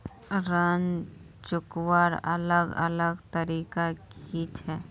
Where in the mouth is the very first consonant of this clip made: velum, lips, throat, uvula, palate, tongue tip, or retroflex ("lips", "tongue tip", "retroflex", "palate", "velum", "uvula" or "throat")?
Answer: tongue tip